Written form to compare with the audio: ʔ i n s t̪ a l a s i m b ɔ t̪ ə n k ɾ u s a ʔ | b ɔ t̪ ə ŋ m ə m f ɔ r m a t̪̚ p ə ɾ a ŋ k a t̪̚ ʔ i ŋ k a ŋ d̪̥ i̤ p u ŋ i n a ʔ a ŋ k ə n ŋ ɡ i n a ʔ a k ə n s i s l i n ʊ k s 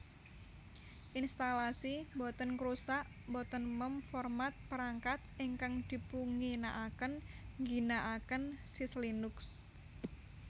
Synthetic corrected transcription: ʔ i n s t̪ a l a s i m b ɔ t̪ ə n k ɾ u s a ʔ | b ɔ t̪ ə n m ə m f ɔ r m a t̪̚ p ə ɾ a ŋ k a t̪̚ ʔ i ŋ k a ŋ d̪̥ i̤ p u ŋ i n a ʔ a k ə n ŋ ɡ i n a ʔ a k ə n s i s l i n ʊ k s